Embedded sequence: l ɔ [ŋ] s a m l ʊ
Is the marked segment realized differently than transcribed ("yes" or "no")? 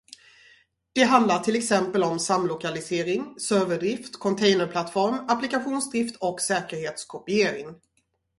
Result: yes